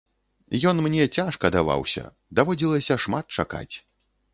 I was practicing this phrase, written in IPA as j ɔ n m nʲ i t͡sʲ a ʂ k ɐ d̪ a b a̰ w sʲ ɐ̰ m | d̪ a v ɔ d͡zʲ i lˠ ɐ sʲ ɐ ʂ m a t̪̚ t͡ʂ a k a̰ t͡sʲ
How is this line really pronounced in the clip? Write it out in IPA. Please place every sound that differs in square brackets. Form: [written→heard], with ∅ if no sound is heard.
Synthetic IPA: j ɔ n m nʲ [i→ɛ] t͡sʲ a ʂ k ɐ d̪ a [b→v] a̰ w sʲ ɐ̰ [m→∅] | d̪ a v ɔ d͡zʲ i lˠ ɐ sʲ ɐ ʂ m a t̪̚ t͡ʂ a k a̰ t͡sʲ